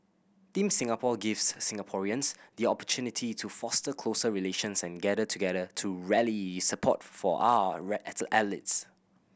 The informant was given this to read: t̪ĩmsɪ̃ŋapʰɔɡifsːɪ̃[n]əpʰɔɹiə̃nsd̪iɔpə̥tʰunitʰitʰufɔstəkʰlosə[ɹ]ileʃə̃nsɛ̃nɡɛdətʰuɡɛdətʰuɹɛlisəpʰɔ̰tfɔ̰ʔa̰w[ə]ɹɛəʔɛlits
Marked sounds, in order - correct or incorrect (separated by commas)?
incorrect, correct, correct